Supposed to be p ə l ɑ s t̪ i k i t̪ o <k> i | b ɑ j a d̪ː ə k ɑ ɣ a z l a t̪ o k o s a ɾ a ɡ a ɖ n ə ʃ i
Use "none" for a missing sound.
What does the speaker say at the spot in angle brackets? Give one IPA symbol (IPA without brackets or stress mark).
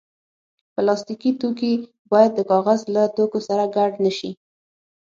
k